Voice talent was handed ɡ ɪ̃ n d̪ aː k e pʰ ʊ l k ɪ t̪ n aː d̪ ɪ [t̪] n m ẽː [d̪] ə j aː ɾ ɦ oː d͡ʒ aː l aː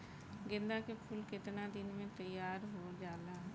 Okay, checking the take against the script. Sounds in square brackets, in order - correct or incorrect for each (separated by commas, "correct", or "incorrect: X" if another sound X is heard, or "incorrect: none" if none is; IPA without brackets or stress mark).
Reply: incorrect: none, incorrect: t̪